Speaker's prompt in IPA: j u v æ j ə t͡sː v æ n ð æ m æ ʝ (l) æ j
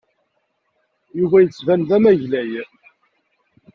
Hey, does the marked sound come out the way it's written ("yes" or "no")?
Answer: yes